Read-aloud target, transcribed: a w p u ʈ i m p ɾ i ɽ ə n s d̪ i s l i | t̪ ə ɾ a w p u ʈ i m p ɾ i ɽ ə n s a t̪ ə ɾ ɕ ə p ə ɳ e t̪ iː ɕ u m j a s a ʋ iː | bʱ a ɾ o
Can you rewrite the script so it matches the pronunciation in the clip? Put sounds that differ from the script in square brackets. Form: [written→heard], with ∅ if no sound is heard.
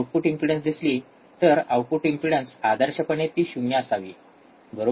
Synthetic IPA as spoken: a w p u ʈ i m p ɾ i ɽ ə n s d̪ i s l i | t̪ ə ɾ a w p u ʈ i m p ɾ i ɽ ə n s a [t̪→d̪] ə ɾ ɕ ə p ə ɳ e t̪ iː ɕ u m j a s a ʋ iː | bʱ [a→ə] ɾ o